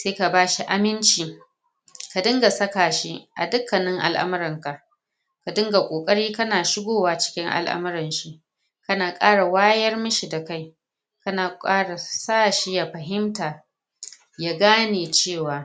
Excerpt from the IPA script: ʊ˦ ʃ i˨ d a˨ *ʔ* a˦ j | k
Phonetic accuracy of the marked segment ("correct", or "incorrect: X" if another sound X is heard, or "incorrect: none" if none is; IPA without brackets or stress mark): incorrect: k